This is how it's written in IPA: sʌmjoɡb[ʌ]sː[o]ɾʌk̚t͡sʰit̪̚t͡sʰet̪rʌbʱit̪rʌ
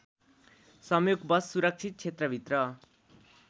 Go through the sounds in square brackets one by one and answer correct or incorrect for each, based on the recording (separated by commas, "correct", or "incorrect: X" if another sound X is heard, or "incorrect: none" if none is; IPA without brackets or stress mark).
correct, incorrect: u